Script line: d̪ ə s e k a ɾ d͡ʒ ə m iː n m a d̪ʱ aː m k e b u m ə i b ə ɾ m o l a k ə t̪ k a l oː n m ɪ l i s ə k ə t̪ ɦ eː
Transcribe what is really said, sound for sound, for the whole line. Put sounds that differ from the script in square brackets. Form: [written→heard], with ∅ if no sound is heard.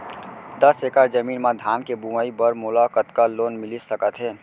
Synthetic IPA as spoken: d̪ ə s e k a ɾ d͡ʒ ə m iː n m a d̪ʱ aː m k e b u m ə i b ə ɾ m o l a k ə t̪ k a l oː n m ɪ l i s ə k ə t̪ ɦ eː